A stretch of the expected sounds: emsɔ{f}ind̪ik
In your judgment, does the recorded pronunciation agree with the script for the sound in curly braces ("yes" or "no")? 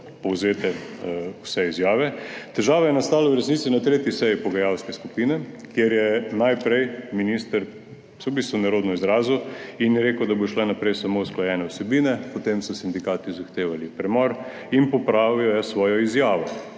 no